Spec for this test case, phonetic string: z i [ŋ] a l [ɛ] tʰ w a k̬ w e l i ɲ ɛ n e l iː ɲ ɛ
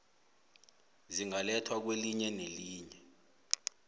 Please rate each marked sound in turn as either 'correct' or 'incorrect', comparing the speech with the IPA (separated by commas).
correct, correct